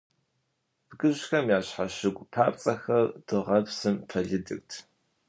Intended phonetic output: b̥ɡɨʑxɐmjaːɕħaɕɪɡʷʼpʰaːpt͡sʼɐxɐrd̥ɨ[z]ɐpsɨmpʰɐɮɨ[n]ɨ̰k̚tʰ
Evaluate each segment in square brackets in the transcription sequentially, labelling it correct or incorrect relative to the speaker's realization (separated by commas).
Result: incorrect, incorrect